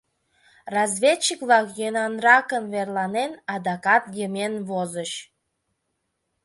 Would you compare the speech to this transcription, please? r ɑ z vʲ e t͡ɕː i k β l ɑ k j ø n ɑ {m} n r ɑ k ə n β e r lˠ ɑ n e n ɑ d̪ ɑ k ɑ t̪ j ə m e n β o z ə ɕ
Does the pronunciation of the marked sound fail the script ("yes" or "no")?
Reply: yes